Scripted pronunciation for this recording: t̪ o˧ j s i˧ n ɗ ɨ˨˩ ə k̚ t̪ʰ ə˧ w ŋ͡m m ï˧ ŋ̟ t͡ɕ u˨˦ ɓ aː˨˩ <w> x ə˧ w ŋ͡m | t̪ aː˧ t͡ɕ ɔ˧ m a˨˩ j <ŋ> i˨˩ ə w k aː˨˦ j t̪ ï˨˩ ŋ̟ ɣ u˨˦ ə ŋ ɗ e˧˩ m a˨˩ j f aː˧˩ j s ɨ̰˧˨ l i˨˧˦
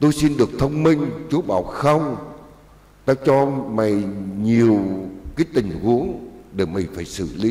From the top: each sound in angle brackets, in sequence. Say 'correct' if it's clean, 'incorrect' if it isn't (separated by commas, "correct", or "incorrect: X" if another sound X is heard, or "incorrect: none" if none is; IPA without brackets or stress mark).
correct, incorrect: ɲ